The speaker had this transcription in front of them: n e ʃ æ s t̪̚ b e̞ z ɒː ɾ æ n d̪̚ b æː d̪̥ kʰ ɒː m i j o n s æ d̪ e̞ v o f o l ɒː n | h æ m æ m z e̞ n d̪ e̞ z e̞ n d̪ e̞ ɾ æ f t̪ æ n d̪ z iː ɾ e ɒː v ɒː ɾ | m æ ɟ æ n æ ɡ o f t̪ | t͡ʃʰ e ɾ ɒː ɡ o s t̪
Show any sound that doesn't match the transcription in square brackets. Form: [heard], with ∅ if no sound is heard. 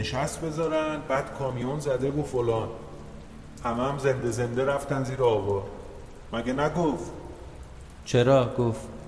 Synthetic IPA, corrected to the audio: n e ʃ æ s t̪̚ b e̞ z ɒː ɾ æ n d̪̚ b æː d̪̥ kʰ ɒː m i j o n [z] æ d̪ e̞ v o f o l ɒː n | h æ m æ m z e̞ n d̪ e̞ z e̞ n d̪ e̞ ɾ æ f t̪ æ n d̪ z iː ɾ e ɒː v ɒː ɾ | m æ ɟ [e] n æ ɡ o f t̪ | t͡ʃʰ e ɾ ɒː ɡ o [f] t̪